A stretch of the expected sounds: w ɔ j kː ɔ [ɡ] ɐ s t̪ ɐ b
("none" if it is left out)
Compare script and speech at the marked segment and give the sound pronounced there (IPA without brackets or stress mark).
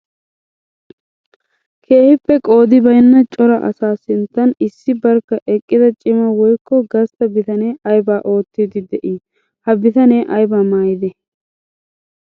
ɡ